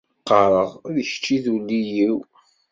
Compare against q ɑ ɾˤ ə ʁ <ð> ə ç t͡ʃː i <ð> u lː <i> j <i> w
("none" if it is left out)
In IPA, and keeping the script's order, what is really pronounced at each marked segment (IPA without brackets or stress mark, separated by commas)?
ð, ð, i, i